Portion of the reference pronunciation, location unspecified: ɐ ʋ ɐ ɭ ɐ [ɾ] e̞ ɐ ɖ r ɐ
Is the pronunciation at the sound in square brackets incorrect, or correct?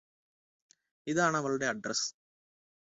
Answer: incorrect